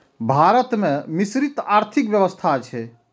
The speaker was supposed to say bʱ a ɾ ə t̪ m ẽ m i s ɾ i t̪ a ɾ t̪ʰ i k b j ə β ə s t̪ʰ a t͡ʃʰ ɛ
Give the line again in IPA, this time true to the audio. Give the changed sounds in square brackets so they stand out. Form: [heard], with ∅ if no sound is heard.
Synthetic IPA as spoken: bʱ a ɾ ə t̪ m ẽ m i s ɾ i t̪ a ɾ t̪ʰ i k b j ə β ə s t̪ʰ a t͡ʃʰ ɛ